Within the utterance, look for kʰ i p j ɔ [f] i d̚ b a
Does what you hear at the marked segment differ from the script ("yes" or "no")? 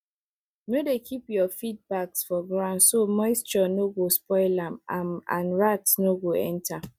no